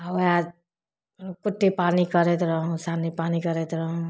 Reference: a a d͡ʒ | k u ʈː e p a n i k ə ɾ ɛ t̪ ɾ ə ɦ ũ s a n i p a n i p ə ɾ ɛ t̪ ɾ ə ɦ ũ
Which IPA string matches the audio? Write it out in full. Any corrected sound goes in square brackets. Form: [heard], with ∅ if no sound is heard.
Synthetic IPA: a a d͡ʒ | k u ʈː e p a n i k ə ɾ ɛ t̪ ɾ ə ɦ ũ s a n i p a n i [k] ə ɾ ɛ t̪ ɾ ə ɦ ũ